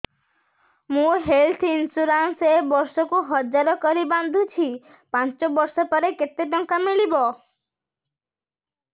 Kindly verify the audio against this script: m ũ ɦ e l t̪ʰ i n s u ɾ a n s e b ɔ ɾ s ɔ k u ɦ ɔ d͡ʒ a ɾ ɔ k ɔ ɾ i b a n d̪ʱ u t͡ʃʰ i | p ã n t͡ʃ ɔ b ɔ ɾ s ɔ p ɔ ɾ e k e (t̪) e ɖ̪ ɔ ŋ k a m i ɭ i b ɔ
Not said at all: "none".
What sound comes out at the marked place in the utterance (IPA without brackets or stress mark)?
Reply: t̪